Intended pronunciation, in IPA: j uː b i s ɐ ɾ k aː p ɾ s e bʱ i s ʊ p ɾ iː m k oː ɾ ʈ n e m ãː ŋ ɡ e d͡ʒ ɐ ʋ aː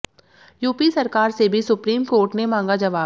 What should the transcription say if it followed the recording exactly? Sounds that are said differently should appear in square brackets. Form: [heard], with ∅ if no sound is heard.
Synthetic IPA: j uː [p] i s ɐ ɾ k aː [∅] ɾ s e bʱ i s ʊ p ɾ iː m k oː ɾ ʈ n e m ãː ŋ ɡ [a] d͡ʒ ɐ ʋ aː

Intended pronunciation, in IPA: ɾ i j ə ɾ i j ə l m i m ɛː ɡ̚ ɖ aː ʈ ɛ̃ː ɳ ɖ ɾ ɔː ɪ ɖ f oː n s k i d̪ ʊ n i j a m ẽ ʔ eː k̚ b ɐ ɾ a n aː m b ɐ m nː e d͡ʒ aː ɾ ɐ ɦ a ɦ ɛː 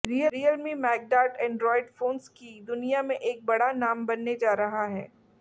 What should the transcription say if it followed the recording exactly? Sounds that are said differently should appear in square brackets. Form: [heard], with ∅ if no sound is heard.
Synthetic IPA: ɾ i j ə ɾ i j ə l m i m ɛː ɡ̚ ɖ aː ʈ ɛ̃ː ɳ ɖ ɾ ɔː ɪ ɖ f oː n s k i d̪ ʊ n i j a m ẽ ʔ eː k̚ b ɐ [ɽ] a n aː m b ɐ [∅] nː e d͡ʒ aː ɾ ɐ ɦ a ɦ ɛː

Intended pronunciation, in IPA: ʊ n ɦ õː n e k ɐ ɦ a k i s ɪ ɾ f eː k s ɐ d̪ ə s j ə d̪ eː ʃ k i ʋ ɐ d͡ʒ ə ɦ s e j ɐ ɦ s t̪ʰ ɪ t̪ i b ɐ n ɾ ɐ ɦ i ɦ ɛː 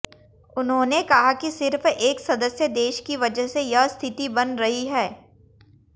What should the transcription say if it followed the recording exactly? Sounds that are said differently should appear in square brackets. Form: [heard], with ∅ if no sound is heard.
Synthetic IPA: ʊ n ɦ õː n e k ɐ ɦ a k i s ɪ ɾ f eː k s ɐ d̪ ə s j ə d̪ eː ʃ k i ʋ ɐ d͡ʒ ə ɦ s e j ɐ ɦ s t̪ʰ ɪ t̪ i b ɐ n ɾ ɐ ɦ i ɦ ɛː

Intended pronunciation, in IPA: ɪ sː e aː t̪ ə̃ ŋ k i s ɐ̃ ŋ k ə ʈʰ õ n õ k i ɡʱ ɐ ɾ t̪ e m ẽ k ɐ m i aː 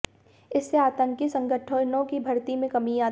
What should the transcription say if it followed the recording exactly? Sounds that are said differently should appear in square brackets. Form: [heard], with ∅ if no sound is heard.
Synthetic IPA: ɪ sː e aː t̪ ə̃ ŋ k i s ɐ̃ ŋ [ɡ] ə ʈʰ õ n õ k i [bʱ] ɐ ɾ t̪ [i] m ẽ k ɐ m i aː

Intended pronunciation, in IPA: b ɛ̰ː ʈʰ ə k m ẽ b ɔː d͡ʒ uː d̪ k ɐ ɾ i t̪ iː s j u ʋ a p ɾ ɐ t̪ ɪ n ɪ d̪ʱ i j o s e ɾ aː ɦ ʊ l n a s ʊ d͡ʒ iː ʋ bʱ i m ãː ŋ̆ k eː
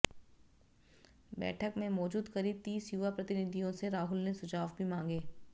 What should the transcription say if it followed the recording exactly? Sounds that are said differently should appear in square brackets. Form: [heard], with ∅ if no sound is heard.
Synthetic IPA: b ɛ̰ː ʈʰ ə k m ẽ [m] ɔː d͡ʒ uː d̪ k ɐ ɾ i t̪ iː s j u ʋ a p ɾ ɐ t̪ ɪ n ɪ d̪ʱ i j [õ] s e ɾ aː ɦ ʊ l n [e] s ʊ d͡ʒ [aː] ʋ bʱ i m ãː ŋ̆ [ɡ] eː

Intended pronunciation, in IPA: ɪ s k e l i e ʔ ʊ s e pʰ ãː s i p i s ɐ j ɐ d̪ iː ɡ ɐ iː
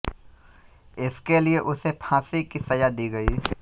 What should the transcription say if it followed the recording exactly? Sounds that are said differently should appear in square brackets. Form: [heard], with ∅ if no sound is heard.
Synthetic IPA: ɪ s k e l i e ʔ ʊ s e pʰ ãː s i [k] i s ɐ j [a] d̪ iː ɡ ɐ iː

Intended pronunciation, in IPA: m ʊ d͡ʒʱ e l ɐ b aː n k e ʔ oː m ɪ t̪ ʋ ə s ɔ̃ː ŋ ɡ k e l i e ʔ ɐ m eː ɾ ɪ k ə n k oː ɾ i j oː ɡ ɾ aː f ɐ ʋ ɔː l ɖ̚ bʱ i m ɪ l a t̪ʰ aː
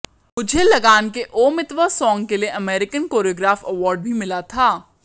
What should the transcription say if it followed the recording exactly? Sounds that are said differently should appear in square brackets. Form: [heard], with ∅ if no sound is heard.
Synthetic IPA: m ʊ d͡ʒʱ e l ɐ [ɡ] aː n k e ʔ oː m ɪ t̪ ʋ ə s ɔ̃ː ŋ ɡ k e l i e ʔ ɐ m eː ɾ ɪ k ə n k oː ɾ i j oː ɡ ɾ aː f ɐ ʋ ɔː [ɾ] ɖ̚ bʱ i m ɪ l a t̪ʰ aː

